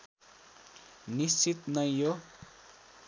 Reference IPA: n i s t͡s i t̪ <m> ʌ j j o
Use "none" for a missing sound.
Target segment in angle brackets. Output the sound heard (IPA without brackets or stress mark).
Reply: n